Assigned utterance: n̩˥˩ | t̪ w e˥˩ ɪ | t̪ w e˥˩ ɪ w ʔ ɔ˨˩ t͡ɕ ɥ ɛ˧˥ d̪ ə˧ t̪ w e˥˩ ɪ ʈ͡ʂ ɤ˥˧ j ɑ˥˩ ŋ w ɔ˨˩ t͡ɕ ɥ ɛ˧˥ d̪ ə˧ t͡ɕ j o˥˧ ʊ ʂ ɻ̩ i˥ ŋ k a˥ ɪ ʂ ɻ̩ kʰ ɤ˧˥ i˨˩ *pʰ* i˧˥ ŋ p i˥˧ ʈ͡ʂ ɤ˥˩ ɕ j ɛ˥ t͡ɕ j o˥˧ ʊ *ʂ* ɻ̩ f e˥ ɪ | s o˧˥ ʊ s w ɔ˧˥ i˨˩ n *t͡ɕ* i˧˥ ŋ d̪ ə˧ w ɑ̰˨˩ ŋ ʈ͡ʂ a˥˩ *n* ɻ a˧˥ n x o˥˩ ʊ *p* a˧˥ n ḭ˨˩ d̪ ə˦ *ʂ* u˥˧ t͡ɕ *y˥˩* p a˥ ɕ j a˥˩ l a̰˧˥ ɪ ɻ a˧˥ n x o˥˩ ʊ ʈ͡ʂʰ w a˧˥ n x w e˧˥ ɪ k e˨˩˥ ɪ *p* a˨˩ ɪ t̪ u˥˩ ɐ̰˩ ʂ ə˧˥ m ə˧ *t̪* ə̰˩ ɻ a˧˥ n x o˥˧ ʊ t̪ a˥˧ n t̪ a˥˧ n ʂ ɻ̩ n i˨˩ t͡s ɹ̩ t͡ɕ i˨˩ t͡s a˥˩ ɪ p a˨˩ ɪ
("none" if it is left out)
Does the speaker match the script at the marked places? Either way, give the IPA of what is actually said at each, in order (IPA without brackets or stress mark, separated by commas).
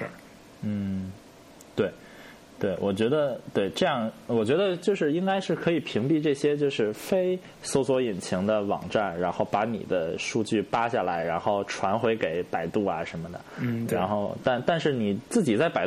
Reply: pʰ, ʂ, t͡ɕʰ, n, p, ʂ, y˥˩, p, d̪